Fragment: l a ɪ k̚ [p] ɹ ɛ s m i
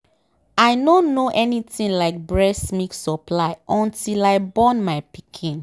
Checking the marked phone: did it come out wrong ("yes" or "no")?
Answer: yes